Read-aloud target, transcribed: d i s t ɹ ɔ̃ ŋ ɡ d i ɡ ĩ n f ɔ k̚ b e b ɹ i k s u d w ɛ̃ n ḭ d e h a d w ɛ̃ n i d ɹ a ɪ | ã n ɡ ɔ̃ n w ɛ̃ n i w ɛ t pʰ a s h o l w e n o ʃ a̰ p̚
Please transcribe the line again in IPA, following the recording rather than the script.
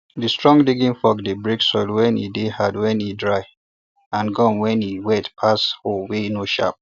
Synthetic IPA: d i s t ɹ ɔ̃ ŋ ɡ d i ɡ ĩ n f ɔ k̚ d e b ɹ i k s ɔ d w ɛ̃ n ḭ d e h a d w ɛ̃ n i d ɹ a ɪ | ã n ɡ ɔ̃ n w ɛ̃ n i w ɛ t pʰ a s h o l w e n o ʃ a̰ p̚